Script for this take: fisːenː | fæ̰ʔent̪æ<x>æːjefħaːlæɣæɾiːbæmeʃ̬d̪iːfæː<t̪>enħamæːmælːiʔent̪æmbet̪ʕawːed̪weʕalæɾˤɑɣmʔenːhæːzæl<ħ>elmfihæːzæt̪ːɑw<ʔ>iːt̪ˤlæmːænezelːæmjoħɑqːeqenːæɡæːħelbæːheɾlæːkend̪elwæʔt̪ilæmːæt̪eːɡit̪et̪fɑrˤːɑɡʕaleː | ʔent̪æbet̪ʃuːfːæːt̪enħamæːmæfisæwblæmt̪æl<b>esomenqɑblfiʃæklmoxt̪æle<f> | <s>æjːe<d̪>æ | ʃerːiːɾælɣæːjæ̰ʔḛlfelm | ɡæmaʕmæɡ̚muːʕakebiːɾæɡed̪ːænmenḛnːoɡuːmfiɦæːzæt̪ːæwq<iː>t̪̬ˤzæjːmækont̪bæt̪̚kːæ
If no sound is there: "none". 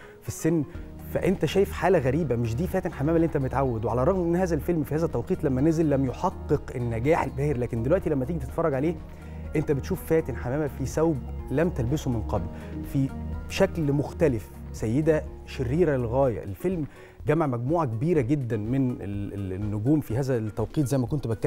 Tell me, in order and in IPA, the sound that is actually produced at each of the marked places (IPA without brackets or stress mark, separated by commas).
ʃ, t̪, f, q, b, f, s, d̪, iː